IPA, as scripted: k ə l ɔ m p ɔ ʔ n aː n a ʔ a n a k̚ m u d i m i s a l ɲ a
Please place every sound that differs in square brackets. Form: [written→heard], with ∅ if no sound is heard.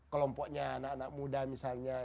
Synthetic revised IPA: k ə l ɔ m p ɔ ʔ [n→ɲ] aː n a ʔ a n a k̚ m u d [i→a] m i s a l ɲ a